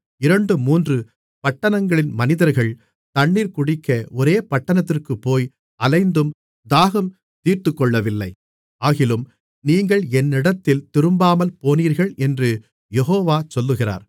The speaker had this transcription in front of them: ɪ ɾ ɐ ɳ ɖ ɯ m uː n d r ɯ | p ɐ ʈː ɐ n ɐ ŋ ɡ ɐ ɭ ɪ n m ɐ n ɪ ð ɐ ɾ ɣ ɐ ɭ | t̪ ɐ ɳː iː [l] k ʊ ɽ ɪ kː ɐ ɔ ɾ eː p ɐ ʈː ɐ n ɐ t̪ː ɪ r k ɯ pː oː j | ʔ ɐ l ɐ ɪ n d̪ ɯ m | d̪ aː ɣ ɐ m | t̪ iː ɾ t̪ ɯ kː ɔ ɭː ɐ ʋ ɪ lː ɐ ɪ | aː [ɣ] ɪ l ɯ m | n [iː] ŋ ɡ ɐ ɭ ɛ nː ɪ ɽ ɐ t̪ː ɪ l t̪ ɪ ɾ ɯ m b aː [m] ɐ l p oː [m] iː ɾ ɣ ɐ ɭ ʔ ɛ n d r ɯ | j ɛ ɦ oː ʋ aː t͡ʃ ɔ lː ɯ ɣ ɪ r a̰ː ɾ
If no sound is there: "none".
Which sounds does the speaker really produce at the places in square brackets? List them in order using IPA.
ɾ, ɣ, iː, m, n

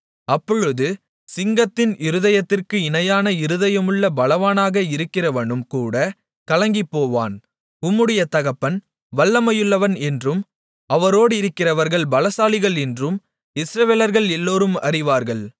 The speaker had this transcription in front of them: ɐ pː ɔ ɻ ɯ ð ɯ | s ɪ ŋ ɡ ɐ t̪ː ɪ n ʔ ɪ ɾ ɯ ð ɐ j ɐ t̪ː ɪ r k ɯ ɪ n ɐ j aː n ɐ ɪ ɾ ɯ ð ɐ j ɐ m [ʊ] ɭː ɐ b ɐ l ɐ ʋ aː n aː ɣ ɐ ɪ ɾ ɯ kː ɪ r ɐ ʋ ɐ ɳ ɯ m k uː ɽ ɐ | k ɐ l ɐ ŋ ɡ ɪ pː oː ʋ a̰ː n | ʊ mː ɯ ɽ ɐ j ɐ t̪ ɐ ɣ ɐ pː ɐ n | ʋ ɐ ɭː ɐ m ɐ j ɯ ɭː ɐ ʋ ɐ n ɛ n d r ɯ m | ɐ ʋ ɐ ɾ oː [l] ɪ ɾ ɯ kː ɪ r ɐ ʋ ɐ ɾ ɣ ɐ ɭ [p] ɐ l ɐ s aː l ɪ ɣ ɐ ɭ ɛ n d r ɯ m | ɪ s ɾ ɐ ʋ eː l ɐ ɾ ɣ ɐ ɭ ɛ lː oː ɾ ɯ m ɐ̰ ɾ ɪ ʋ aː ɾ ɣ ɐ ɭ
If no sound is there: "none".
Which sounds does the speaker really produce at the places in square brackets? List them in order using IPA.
ɯ, ɽ, b

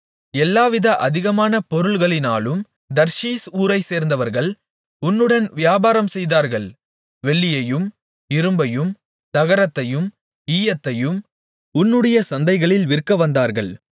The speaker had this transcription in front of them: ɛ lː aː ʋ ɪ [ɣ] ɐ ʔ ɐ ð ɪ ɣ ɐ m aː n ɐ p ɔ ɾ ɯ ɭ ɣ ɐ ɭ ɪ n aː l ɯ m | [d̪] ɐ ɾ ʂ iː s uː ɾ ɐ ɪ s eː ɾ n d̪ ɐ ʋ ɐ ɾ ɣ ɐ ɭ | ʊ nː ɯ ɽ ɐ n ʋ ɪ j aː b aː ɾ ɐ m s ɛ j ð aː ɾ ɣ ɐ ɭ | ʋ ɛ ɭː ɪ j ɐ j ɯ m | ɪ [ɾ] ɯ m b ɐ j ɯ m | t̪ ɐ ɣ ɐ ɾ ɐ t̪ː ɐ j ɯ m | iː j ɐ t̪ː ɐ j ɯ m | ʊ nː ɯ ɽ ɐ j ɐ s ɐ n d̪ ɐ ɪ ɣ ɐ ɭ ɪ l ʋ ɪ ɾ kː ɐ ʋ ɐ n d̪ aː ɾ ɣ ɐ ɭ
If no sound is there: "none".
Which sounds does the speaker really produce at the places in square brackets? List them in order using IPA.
ð, d̪, ɾ

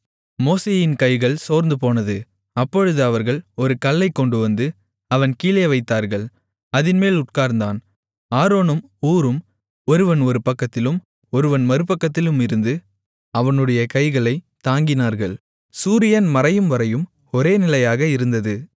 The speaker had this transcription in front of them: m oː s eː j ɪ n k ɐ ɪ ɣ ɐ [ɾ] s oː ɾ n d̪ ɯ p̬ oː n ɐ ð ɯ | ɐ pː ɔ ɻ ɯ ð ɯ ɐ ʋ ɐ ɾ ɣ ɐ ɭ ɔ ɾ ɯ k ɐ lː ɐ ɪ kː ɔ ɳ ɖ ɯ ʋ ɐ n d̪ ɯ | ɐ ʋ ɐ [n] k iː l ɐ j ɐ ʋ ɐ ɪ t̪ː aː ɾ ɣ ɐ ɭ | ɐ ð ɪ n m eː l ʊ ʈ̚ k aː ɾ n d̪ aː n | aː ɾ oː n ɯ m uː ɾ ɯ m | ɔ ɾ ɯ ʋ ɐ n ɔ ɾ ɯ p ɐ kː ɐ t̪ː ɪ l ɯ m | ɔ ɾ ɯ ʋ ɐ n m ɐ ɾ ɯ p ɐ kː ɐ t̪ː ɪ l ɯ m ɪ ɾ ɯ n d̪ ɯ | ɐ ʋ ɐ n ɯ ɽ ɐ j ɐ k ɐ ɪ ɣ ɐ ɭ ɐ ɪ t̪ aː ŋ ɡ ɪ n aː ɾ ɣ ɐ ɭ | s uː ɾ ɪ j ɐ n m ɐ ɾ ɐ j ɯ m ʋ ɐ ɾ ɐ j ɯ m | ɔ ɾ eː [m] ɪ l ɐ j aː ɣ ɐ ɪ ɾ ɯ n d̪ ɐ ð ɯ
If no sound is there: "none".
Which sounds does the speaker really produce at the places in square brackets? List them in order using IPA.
ɭ, n, n

